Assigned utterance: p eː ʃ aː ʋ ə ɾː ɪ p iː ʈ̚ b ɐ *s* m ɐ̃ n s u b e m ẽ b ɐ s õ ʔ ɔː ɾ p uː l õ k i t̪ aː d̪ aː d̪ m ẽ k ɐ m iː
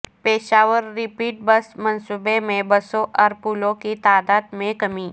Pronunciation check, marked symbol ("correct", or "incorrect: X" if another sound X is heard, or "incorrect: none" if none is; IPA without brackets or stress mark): correct